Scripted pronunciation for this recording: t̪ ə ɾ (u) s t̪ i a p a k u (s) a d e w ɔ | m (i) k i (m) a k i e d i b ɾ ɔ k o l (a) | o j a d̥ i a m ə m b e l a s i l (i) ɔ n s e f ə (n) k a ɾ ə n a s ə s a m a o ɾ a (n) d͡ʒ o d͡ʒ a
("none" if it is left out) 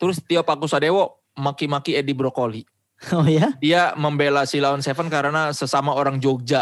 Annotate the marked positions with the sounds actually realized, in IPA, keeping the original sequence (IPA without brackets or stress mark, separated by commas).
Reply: ʊ, s, a, m, i, a, n, ŋ